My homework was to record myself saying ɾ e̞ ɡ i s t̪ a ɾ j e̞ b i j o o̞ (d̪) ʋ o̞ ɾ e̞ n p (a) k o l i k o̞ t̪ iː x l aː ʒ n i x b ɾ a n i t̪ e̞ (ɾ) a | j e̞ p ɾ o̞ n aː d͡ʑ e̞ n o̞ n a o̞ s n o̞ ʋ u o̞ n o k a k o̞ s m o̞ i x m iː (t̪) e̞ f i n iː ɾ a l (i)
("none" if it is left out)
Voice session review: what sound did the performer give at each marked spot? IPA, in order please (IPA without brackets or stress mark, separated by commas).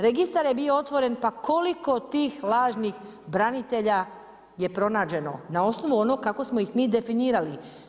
t̪, a, ʎ, d̪, i